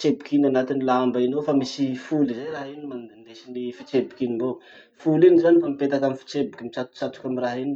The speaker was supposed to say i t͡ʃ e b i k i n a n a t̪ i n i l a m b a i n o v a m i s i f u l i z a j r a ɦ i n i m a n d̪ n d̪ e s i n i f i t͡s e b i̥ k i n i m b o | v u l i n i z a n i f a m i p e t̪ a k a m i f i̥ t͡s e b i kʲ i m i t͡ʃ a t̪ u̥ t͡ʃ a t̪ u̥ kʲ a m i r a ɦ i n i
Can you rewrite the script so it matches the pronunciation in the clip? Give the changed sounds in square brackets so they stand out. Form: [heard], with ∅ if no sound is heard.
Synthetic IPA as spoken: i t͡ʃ e b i k i n a n a t̪ i n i l a m b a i n o [f] a m i s i f u l i z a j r a ɦ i n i m a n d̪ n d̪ e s i n i f i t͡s e b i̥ k i n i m b o | [f] u l i n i z a n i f a m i p e t̪ a k a m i f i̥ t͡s e b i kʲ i m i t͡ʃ a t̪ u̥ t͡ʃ a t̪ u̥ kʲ a m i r a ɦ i n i